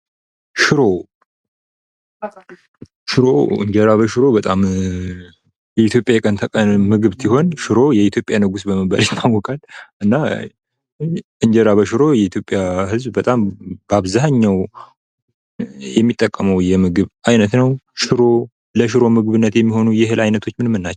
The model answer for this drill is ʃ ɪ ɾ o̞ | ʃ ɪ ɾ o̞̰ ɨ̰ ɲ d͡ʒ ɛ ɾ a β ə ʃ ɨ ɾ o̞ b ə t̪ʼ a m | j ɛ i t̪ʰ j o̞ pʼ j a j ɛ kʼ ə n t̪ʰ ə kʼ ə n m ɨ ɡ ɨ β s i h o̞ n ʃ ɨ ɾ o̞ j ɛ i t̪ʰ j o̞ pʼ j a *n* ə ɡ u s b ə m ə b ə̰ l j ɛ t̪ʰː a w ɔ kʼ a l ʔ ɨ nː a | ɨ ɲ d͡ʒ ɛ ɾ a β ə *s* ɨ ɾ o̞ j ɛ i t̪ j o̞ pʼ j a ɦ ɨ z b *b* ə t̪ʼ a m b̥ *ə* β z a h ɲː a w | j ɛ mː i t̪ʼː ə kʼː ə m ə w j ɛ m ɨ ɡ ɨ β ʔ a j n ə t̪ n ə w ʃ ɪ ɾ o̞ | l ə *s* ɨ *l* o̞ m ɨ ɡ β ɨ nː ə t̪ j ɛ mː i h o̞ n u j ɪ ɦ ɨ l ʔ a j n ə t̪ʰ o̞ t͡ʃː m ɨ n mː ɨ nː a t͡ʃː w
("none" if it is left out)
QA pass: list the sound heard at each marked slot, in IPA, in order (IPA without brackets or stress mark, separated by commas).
n, ʃ, b, a, ʃ, ɾ